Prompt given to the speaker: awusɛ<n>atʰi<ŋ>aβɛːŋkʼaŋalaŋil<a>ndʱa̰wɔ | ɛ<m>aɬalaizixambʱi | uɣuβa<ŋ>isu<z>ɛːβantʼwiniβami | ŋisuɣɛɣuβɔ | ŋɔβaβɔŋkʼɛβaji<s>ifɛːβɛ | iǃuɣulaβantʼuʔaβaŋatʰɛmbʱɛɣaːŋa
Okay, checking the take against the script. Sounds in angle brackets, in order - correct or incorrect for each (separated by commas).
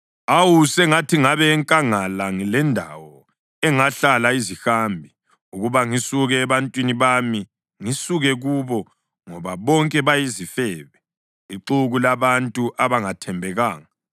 incorrect, correct, incorrect, incorrect, correct, incorrect, incorrect